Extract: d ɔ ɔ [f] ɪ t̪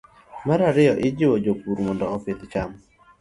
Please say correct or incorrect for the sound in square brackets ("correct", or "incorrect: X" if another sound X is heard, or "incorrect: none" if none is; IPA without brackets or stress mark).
correct